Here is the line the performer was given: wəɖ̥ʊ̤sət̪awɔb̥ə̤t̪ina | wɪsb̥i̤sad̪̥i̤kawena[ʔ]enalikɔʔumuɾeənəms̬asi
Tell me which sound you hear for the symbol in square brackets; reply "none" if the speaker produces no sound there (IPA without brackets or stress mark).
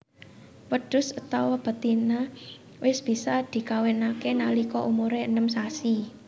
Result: k